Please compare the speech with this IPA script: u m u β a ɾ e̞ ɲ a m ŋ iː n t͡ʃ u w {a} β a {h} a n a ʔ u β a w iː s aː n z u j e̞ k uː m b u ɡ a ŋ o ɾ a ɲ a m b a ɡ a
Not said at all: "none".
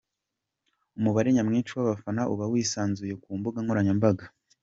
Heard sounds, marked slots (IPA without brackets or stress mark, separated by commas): a, f